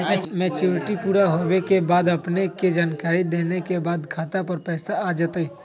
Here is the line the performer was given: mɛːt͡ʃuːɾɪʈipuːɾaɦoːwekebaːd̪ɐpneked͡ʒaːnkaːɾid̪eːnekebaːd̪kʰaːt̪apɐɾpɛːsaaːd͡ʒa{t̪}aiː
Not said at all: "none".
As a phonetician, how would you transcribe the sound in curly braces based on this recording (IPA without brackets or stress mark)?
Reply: t̪